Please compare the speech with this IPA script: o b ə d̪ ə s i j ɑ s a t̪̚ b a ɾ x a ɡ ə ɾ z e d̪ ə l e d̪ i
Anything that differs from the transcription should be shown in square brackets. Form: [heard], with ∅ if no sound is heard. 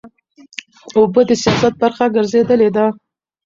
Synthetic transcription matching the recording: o b ə d̪ ə s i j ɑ s a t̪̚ b a ɾ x a ɡ ə ɾ z e d̪ ə l e d̪ [a]

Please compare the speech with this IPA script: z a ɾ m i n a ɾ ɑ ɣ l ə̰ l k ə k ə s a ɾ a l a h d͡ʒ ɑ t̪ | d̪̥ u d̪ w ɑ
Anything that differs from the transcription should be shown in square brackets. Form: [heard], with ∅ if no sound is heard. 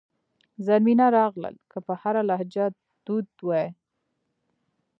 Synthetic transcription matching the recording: z a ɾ m i n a ɾ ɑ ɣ l ə̰ l k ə [p] ə [h] a ɾ a l a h d͡ʒ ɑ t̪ | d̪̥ u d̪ w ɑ

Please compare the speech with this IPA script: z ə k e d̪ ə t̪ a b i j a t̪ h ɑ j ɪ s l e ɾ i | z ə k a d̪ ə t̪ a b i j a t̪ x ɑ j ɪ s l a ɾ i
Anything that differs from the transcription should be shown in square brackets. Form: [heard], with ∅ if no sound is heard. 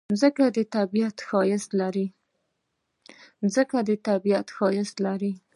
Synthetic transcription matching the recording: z ə k [a] d̪ ə t̪ a b i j a t̪ [x] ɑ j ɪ s l [a] ɾ i | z ə k a d̪ ə t̪ a b i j a t̪ x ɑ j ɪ s l a ɾ i

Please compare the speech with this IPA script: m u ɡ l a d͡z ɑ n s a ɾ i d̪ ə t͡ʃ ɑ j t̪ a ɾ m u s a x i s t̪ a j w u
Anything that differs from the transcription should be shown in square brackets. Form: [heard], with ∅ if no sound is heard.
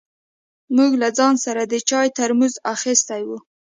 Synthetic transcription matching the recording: m u ɡ l a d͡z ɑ n s a ɾ [a] d̪ ə t͡ʃ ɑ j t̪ a ɾ m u [z] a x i s t̪ a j w u

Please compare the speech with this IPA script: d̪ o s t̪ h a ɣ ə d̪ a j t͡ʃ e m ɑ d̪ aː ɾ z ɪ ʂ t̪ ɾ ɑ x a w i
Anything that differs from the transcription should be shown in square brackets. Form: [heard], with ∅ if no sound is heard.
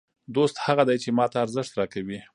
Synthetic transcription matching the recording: d̪ o s t̪ h a ɣ [a] d̪ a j t͡ʃ e m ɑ [t̪] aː ɾ z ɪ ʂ t̪ ɾ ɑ [k] a w i

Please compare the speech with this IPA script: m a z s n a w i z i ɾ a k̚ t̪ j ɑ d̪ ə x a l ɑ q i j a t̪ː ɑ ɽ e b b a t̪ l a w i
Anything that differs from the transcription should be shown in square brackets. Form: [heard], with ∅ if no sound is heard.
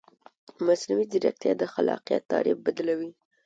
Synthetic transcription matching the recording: m a [∅] s n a w i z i ɾ a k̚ t̪ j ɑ d̪ ə x a l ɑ q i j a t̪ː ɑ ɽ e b b a [d̪] l a w i

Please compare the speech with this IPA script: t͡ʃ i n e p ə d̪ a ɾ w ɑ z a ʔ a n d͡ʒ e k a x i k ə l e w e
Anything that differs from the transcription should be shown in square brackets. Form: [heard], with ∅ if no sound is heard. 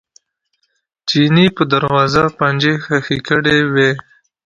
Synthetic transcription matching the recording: t͡ʃ i n [i] p ə d̪ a ɾ w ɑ z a [p] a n d͡ʒ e [x] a x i k ə [ɽ] e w e

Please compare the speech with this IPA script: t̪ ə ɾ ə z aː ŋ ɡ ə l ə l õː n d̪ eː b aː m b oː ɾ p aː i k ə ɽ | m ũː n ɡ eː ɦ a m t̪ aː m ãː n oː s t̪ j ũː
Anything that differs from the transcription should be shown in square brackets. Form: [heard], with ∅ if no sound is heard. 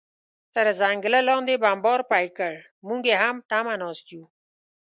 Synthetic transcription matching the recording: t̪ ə ɾ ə z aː ŋ ɡ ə l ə l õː n d̪ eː b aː m b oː ɾ p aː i k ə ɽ | m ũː [ŋ] ɡ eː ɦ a m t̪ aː m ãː n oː s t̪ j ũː

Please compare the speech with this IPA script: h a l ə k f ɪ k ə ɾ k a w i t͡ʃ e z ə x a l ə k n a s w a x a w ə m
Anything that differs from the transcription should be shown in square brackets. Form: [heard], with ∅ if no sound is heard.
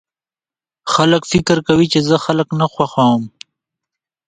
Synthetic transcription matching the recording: [x] a l ə k f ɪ k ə ɾ k a w i t͡ʃ e z ə x a l ə k n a [x] w a x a w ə m

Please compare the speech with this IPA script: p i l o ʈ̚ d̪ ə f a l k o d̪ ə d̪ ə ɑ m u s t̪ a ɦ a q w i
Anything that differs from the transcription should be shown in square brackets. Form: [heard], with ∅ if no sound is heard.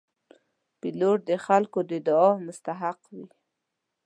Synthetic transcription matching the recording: p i l o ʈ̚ d̪ ə [x] a l k o d̪ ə d̪ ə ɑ m [ʊ] s t̪ a ɦ a q w i

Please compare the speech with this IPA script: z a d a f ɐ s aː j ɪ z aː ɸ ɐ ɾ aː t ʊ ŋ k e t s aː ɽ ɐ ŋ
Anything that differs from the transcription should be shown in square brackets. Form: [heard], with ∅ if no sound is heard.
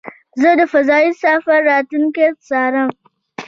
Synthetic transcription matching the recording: z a d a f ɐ [z] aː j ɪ [s] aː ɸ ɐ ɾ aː t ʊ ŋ k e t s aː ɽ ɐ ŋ

